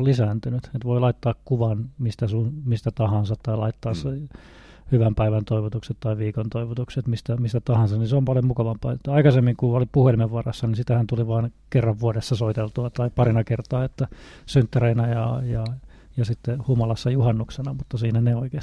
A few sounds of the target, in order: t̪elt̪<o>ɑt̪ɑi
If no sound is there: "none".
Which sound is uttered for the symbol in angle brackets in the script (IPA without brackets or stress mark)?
u